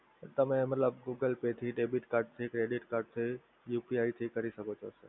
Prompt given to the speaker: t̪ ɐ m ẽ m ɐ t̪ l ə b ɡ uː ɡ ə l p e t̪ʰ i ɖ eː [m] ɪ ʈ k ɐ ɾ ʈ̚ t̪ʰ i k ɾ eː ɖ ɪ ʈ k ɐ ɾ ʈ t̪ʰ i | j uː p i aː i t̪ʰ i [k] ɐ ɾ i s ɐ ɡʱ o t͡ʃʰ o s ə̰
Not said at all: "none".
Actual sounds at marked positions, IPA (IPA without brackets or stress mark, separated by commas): b, k